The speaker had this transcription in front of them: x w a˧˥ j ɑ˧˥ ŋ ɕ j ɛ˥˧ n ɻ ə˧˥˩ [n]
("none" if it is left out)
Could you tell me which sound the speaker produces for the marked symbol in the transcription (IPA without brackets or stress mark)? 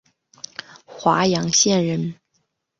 n